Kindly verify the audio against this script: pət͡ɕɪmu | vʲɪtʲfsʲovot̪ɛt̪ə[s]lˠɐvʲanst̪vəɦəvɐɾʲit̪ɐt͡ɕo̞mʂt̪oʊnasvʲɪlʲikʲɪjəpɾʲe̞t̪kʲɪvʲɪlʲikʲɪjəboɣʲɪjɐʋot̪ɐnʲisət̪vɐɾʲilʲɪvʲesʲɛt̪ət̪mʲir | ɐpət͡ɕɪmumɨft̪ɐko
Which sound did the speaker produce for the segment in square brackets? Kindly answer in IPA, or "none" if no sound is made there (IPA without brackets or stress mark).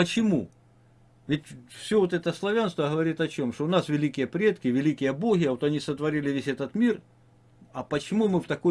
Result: s